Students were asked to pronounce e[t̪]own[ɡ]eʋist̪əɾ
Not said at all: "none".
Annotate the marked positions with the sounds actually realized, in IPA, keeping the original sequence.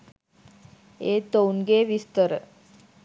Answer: t̪, ɡ

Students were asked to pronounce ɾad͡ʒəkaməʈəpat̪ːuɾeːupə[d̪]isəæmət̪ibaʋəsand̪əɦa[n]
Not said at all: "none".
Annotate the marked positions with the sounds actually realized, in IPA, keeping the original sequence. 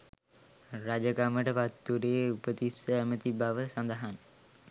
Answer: t̪, n

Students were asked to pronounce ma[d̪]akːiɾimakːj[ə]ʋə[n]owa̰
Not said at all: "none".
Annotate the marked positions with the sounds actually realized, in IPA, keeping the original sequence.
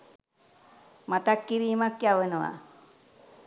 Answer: t̪, a, n

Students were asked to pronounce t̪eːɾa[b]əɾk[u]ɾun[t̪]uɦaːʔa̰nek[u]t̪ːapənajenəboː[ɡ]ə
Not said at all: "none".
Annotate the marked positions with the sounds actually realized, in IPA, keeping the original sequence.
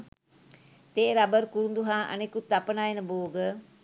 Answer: b, u, d̪, u, ɡ

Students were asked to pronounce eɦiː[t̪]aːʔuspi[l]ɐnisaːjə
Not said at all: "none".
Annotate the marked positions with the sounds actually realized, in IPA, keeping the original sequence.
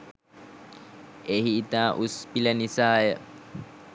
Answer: t̪, l

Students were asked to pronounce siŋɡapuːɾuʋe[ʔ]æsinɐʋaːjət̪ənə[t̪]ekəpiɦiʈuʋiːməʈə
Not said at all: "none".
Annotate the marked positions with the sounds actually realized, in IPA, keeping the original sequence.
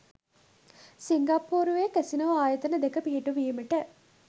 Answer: k, d̪

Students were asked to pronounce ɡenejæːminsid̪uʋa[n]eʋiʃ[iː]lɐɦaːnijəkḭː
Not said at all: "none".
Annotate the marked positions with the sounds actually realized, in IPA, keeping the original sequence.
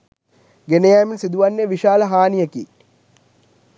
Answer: nː, aː

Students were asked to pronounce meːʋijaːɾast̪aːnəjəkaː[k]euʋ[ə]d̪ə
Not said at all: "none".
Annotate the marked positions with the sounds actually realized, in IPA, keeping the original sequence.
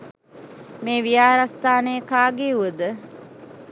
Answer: ɡ, ə

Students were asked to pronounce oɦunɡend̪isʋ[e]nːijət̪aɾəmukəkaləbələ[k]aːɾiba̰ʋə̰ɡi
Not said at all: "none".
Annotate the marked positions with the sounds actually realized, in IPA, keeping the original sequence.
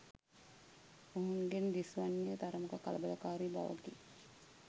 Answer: a, k

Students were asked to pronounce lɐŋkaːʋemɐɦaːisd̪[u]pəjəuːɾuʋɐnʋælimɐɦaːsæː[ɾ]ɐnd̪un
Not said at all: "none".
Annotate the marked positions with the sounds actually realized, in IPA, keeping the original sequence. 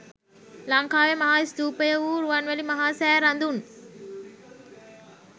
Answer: uː, ɾ

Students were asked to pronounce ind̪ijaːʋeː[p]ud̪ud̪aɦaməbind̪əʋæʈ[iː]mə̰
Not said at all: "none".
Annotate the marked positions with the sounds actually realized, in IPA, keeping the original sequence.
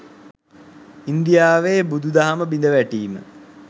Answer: b, iː

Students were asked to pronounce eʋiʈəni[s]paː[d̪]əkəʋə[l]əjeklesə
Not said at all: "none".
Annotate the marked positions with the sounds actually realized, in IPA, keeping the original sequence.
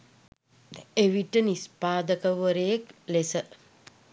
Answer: s, d̪, ɾ

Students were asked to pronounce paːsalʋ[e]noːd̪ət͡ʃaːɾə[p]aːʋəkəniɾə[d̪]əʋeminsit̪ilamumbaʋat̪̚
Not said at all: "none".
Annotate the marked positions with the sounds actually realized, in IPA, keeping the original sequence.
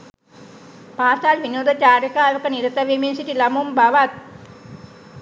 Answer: i, k, t̪

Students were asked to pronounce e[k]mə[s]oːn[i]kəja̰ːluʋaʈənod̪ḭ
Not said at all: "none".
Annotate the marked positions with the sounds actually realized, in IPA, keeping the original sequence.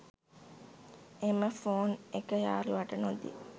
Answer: none, f, e

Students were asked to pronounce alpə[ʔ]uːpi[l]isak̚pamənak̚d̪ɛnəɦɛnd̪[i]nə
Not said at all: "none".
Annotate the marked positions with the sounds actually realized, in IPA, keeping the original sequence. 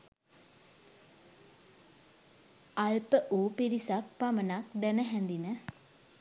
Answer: ʔ, ɾ, i

